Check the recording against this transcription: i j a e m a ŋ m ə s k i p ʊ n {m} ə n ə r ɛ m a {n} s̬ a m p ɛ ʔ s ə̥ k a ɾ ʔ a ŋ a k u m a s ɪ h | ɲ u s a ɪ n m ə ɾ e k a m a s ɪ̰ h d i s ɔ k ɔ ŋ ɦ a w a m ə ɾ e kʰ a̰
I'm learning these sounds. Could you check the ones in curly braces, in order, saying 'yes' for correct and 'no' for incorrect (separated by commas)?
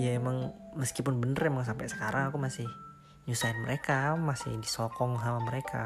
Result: no, no